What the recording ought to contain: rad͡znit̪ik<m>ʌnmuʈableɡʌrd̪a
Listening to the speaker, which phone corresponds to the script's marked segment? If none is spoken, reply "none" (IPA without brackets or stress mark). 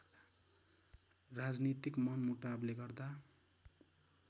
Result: m